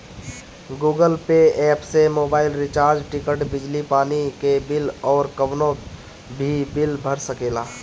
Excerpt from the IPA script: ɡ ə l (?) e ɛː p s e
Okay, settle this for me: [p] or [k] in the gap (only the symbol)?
p